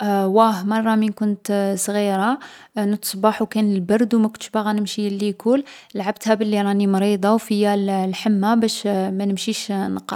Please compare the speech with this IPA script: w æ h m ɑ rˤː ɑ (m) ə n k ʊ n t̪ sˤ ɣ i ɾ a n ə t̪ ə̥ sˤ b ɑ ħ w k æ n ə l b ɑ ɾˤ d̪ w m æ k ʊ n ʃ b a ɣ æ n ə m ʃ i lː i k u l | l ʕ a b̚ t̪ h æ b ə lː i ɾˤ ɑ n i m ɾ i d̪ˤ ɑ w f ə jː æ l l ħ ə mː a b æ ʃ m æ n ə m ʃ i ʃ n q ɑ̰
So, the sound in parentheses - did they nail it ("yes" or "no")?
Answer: yes